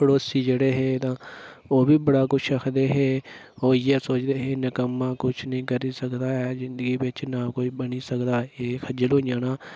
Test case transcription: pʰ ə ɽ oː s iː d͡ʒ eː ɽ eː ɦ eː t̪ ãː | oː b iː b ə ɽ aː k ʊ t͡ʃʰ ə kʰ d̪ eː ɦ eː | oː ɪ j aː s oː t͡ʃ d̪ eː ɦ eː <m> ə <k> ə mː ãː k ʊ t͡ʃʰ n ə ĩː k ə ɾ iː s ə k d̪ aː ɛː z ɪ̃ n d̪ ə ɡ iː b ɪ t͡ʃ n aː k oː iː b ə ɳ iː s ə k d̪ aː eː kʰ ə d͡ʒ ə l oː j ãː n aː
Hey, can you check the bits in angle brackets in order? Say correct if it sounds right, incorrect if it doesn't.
incorrect: n, correct

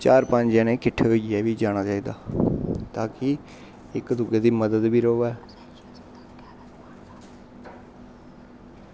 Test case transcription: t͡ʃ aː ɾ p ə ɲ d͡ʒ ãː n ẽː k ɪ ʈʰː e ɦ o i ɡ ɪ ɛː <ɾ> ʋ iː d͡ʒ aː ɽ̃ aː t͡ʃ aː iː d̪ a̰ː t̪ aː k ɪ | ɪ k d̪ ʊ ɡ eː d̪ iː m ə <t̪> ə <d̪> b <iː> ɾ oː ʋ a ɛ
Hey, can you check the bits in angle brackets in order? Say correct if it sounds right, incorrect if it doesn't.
incorrect: none, incorrect: d̪, correct, correct

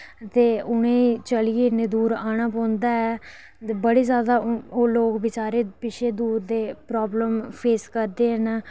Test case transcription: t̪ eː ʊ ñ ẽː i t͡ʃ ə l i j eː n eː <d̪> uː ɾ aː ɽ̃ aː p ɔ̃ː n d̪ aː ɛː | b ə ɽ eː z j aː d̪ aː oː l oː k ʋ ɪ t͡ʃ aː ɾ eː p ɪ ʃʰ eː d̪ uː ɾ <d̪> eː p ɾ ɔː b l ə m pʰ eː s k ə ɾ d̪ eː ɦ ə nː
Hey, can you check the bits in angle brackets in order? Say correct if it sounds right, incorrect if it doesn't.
correct, correct

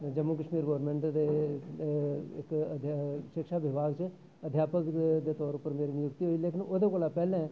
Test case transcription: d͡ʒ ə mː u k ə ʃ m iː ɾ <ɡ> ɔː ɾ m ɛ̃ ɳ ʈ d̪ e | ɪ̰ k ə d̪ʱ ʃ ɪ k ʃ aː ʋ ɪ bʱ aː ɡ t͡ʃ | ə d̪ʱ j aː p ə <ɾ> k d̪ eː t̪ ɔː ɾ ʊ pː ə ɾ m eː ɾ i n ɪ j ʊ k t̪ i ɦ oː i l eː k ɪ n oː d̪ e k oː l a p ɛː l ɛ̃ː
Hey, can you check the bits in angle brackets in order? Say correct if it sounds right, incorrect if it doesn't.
correct, incorrect: none

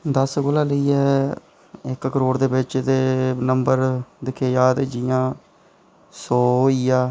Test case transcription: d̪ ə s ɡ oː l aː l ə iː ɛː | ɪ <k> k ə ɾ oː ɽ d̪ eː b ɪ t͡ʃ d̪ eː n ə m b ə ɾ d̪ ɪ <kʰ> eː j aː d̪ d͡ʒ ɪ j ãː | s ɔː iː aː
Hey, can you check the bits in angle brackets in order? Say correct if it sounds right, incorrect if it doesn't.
correct, correct

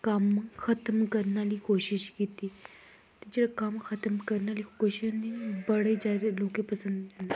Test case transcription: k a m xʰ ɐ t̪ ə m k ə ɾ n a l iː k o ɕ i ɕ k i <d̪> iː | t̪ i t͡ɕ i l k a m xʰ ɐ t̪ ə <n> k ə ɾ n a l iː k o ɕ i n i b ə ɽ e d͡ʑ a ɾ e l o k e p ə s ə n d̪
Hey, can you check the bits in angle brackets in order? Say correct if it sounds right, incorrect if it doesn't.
incorrect: t̪, incorrect: m

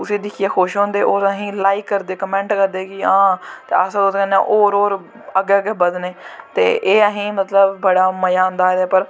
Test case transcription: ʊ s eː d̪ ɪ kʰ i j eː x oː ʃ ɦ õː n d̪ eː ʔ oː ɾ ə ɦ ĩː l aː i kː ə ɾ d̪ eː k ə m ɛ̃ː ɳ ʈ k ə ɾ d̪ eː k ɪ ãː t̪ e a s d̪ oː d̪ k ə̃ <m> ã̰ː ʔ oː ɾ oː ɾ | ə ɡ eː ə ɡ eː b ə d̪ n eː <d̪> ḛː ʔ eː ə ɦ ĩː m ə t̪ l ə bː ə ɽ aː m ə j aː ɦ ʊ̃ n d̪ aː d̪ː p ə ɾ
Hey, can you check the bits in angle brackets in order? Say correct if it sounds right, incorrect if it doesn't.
incorrect: n, incorrect: t̪

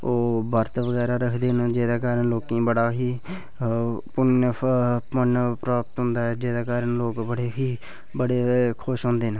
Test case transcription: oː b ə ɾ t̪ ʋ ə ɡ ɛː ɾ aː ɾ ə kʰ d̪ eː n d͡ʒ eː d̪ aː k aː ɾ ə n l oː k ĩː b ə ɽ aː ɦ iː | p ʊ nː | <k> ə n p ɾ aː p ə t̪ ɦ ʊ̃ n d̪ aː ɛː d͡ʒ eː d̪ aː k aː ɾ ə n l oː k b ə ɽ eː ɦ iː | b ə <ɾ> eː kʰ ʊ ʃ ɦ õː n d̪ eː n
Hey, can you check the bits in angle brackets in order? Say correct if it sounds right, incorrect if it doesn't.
incorrect: p, incorrect: ɽ

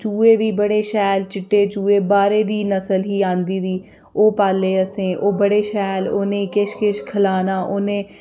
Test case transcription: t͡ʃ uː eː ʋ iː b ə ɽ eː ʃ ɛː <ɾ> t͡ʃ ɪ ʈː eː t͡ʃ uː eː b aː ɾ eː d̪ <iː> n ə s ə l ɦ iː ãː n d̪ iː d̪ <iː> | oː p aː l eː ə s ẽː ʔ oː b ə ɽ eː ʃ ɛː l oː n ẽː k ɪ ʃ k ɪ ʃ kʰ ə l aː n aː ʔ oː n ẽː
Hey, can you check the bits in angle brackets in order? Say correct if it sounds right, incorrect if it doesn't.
incorrect: l, correct, correct

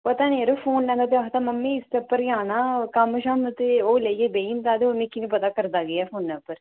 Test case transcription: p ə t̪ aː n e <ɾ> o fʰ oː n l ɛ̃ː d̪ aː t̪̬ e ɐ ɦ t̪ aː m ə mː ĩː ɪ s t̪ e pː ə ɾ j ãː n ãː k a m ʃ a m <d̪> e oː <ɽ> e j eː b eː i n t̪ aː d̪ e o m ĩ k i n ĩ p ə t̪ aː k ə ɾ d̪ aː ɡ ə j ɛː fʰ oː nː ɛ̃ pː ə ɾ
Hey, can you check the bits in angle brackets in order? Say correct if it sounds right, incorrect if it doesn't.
correct, incorrect: t̪, incorrect: l

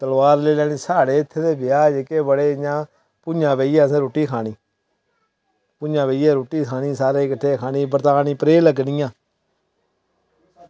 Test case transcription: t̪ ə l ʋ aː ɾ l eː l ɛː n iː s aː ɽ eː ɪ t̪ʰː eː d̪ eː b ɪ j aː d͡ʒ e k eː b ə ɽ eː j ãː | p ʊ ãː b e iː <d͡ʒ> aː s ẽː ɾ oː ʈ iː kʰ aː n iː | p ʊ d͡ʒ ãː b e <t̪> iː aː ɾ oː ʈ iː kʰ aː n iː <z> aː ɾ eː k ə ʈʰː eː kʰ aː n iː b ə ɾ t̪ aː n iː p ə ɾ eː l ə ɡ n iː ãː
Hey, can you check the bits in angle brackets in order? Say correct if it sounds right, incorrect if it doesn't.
incorrect: none, incorrect: none, incorrect: s

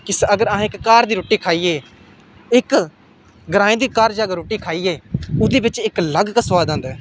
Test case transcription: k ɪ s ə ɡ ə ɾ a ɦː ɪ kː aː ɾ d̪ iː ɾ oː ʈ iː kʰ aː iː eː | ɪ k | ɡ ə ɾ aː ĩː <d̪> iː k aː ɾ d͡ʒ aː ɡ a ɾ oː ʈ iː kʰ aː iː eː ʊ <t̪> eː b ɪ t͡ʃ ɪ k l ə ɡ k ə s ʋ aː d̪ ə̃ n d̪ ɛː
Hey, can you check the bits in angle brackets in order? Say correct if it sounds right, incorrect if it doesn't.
correct, incorrect: d̪

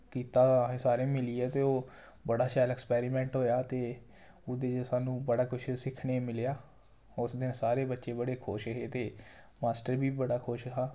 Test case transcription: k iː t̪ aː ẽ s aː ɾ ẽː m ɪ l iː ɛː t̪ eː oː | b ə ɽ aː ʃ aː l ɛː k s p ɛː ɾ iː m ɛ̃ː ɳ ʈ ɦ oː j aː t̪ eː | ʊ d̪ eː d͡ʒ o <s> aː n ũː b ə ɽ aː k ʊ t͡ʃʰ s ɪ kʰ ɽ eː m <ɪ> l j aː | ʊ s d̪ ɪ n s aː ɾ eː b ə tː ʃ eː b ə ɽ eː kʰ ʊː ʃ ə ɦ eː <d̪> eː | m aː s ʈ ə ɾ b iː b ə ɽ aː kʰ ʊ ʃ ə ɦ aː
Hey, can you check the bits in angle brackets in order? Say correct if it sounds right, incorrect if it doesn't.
correct, correct, incorrect: t̪

